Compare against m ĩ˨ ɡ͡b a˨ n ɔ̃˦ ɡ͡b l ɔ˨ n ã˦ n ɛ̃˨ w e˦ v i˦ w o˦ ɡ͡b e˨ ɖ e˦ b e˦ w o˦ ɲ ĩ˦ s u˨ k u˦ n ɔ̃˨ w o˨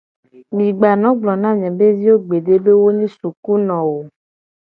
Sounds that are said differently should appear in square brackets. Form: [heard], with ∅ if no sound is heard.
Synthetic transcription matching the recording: m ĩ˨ ɡ͡b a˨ n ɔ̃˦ ɡ͡b l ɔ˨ n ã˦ [ɲ] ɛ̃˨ [b] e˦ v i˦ w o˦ ɡ͡b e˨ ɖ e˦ b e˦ w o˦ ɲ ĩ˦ s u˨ k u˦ n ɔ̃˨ w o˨

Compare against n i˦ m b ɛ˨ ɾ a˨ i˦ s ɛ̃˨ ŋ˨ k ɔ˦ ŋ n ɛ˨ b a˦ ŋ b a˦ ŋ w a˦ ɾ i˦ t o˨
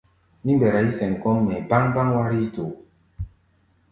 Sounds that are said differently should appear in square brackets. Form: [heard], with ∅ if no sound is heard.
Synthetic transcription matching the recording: n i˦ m b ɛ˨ ɾ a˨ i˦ s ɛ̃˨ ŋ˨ k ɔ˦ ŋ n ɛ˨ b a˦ ŋ b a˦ ŋ w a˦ ɾ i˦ t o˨

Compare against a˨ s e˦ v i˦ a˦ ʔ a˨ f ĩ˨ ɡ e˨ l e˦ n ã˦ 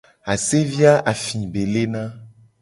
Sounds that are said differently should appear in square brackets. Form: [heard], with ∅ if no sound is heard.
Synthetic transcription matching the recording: a˨ s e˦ v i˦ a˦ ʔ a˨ f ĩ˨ [b] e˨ l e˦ n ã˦

